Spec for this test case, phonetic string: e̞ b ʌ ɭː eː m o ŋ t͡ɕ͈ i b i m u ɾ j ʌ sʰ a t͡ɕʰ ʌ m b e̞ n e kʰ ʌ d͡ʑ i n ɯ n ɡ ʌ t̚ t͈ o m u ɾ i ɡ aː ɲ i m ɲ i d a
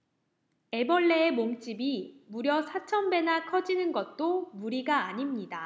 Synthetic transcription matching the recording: e̞ b ʌ ɭː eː m o ŋ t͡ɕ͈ i b i m u ɾ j ʌ sʰ a t͡ɕʰ ʌ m b e̞ n a kʰ ʌ d͡ʑ i n ɯ n ɡ ʌ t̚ t͈ o m u ɾ i ɡ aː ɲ i m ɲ i d a